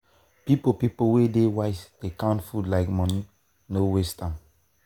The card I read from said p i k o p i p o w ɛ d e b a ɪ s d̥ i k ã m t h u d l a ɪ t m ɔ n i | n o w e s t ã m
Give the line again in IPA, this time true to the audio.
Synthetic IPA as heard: p i p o p i p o w e d e w a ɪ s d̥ e k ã n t f u d l a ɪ k m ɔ n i | n o w e s t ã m